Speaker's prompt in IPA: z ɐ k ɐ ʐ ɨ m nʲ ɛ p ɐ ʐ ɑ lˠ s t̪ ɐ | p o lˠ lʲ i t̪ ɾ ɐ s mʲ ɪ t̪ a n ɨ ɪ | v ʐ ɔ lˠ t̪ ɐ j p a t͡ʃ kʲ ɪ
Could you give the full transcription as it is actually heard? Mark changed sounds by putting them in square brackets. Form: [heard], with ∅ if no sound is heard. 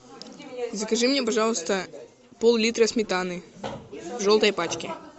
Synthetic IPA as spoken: z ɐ k ɐ ʐ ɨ m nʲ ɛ p ɐ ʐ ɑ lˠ s t̪ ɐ | p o lˠ lʲ i t̪ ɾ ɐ s mʲ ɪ t̪ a n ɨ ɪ | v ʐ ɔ lˠ t̪ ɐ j p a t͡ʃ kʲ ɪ